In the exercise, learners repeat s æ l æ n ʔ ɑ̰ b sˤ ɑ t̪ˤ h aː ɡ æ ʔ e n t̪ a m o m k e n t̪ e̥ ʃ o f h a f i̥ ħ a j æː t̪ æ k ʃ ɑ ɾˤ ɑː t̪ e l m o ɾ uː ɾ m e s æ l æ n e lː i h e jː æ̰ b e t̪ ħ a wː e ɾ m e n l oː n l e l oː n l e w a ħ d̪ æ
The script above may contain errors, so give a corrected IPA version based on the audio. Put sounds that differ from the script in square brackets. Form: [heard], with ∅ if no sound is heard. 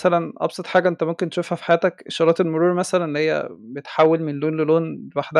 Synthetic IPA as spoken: s æ l æ n ʔ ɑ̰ b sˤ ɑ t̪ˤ [ħ] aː ɡ æ ʔ e n t̪ [æ] m o m k e n t̪ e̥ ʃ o f h [æ] f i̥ ħ a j æː t̪ æ k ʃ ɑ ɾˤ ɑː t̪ e l m o ɾ uː ɾ m [æ] s æ l æ n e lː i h e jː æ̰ b e t̪ ħ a wː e [l] m e n l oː n l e l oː n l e w a ħ d̪ æ